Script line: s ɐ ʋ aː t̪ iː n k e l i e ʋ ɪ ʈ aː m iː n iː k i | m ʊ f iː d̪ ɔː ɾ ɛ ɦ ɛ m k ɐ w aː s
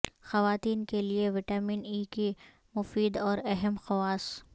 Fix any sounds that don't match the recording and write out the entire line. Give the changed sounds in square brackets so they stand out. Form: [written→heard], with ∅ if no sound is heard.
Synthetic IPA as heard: [s→x] ɐ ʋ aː t̪ iː n k e l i e ʋ ɪ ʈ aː m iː n iː k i | m ʊ f iː d̪ ɔː ɾ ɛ ɦ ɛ m [k→x] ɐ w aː s